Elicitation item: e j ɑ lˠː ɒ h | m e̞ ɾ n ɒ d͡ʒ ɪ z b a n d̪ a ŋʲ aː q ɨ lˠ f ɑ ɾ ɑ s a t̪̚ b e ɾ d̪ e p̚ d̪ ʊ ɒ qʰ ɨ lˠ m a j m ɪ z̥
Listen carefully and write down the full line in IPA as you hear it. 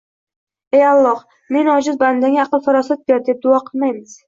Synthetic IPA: e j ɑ lˠː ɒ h | m e̞ n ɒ d͡ʒ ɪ z b a n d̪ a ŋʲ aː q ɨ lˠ f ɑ ɾ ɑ s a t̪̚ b e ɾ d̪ e p̚ d̪ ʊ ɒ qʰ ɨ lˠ m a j m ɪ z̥